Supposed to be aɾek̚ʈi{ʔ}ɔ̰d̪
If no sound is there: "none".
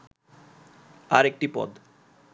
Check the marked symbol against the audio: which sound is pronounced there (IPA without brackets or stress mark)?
p